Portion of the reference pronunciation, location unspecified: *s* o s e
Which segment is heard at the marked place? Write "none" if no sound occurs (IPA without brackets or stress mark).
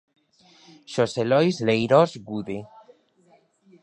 ʃ